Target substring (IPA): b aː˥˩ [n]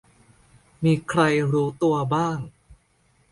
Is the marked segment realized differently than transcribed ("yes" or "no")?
yes